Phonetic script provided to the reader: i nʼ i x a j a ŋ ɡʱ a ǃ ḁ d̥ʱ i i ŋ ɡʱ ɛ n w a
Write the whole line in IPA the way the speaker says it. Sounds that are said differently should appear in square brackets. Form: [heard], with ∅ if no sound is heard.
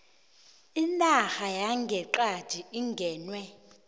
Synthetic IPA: i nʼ [a] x a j a ŋ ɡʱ [ɛ] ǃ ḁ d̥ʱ i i ŋ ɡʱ [ɛː] n w [ɛ]